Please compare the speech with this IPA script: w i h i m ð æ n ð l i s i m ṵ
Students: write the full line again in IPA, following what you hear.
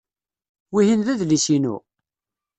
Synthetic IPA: w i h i n ð æ ð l i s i n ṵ